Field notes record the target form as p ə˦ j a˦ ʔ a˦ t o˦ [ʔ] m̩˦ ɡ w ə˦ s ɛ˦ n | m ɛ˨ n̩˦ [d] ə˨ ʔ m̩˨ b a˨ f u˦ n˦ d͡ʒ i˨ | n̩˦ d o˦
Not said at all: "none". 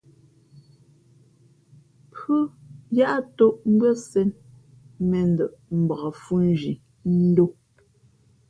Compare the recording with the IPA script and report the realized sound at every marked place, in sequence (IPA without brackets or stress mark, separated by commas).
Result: ʔ, d